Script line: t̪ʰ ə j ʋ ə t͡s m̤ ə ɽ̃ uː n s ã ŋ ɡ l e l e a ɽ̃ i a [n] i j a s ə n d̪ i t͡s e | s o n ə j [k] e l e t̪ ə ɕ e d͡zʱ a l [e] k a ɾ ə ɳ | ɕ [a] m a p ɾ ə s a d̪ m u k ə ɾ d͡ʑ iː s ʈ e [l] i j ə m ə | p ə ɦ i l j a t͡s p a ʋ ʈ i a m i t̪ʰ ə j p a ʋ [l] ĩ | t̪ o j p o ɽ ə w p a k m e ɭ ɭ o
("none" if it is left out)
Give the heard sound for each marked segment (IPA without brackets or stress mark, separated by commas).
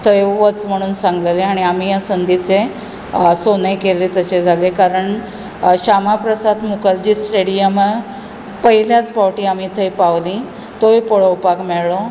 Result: m, k, e, a, ɽ, l